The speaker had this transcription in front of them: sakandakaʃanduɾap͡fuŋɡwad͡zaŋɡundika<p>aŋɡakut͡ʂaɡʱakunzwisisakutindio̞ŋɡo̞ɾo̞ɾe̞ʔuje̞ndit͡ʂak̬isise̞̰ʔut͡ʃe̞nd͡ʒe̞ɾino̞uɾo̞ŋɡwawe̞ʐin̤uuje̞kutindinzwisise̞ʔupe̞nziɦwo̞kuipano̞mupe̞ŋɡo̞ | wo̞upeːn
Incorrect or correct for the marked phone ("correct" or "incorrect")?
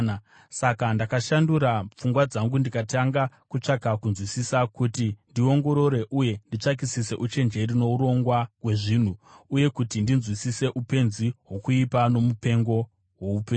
incorrect